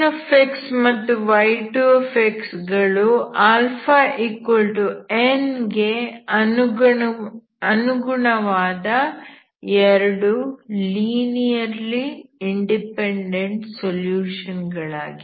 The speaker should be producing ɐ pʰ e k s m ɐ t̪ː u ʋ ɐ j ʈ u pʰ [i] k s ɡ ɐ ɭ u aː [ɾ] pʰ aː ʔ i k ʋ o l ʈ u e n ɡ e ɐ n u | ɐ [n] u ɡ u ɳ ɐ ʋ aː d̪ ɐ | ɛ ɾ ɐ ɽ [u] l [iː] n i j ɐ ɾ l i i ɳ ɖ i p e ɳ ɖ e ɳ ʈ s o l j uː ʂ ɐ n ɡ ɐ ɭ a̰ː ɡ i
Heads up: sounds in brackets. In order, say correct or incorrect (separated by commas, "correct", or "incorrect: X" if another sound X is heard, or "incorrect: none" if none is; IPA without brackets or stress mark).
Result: incorrect: e, incorrect: l, correct, correct, correct